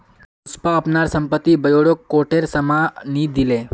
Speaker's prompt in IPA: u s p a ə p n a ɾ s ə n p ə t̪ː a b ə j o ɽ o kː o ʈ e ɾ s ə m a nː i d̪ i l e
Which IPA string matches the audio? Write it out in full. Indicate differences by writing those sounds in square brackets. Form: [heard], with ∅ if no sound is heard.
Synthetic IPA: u s p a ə p n a ɾ s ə [m] p ə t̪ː [i] b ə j o ɽ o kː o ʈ e ɾ s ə m a [n] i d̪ i l e